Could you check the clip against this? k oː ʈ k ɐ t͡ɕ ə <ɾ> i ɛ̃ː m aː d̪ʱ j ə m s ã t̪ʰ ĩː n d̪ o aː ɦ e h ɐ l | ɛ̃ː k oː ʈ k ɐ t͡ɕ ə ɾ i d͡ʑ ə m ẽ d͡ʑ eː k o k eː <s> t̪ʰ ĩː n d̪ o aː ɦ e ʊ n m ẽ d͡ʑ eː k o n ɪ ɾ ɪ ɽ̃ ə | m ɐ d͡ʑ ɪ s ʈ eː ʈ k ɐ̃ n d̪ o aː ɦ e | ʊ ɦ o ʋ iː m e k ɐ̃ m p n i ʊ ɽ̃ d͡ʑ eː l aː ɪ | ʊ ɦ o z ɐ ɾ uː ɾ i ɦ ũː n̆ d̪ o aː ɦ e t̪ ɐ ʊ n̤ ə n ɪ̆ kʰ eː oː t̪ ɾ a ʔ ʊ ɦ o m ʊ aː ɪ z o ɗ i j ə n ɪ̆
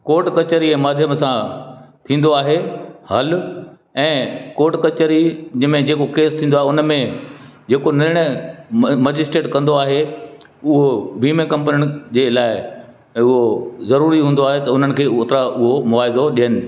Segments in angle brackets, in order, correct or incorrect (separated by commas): correct, correct